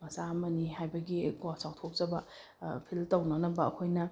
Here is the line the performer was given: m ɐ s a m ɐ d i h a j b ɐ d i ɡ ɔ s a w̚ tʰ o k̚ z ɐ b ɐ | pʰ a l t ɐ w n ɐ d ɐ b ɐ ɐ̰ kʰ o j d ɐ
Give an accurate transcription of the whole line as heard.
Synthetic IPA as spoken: m ɐ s a m ɐ n i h a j b ɐ ɡ i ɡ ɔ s a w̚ tʰ o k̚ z ɐ b ɐ | pʰ i l t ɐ w n ɐ n ɐ b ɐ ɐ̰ kʰ o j n ɐ